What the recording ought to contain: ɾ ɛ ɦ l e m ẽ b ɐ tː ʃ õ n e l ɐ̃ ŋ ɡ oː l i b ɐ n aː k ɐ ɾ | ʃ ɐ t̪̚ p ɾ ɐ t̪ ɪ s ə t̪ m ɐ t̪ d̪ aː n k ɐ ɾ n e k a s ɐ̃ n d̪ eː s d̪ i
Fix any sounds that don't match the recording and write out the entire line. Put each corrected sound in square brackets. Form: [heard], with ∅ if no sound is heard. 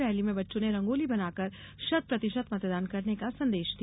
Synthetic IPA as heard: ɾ ɛ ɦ l [i] m ẽ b ɐ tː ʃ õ n e [ɾ] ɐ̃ ŋ ɡ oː l i b ɐ n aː k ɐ ɾ | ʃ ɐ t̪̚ p ɾ ɐ t̪ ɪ [ʃ] ə t̪ m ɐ t̪ d̪ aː n k ɐ ɾ n e k a s ɐ̃ n d̪ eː [ʃ] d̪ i